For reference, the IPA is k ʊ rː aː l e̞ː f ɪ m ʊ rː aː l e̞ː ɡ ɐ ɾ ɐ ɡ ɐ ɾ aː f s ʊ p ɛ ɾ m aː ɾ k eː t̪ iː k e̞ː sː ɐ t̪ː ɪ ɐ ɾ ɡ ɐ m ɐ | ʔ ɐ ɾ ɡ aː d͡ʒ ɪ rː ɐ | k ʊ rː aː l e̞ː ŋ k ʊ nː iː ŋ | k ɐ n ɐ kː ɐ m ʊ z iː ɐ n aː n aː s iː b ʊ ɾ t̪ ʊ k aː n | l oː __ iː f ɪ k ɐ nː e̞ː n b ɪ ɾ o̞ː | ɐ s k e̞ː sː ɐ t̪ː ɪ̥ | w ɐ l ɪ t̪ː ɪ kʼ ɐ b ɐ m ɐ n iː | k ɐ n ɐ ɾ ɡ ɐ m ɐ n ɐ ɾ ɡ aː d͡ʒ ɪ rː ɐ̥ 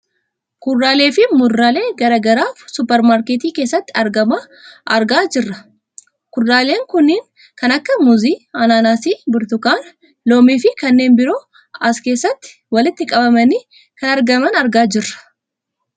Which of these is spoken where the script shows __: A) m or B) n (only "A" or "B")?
A